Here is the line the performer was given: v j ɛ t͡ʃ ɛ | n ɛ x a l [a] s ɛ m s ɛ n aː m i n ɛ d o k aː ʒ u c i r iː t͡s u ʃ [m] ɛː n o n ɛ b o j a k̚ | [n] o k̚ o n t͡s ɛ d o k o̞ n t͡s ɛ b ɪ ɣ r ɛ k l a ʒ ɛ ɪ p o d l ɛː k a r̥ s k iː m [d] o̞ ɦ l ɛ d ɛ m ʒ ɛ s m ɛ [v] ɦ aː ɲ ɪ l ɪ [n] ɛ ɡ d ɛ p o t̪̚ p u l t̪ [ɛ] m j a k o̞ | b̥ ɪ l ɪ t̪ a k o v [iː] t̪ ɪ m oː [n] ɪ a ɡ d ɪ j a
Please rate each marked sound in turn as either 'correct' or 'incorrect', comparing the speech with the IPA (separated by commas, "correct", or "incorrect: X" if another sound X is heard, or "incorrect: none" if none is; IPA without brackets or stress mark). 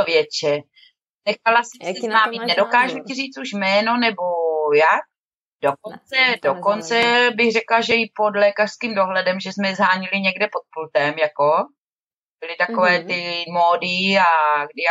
correct, correct, incorrect: d, correct, incorrect: z, incorrect: ɲ, correct, incorrect: ɛː, incorrect: d